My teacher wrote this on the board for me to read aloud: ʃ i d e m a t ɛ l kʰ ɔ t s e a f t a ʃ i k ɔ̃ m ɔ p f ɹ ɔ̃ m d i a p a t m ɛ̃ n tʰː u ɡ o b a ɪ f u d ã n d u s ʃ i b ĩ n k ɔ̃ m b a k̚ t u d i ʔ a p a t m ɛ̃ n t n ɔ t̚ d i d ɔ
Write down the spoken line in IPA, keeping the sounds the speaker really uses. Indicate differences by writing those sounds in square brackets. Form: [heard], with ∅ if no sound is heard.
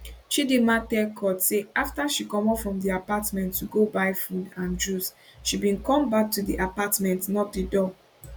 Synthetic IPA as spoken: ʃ i d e m a t ɛ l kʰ ɔ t s e a f t a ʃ i k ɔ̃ m ɔ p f ɹ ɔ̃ m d i a p a t m ɛ̃ n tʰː u ɡ o b a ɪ f u d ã n [d͡ʒ] u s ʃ i b ĩ n k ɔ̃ m b a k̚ t u d i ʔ a p a t m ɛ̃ n t n ɔ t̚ d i d ɔ